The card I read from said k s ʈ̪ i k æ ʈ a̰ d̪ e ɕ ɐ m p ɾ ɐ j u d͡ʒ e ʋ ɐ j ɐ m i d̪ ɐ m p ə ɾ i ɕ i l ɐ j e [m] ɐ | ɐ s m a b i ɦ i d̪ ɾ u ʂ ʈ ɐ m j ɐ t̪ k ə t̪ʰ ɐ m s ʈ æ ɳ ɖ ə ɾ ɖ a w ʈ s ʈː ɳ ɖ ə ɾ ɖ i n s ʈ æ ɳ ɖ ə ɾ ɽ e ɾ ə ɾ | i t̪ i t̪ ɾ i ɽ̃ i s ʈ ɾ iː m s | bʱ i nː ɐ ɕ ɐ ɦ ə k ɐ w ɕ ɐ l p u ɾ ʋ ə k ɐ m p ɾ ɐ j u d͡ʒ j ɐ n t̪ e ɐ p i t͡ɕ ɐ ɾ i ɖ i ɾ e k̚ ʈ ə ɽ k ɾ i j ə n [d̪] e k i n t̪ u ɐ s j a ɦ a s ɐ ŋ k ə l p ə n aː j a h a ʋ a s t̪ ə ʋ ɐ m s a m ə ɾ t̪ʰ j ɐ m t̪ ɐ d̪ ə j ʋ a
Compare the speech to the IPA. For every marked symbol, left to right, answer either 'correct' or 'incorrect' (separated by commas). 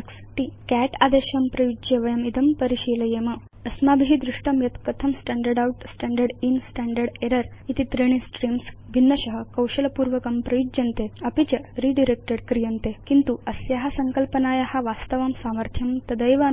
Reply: correct, incorrect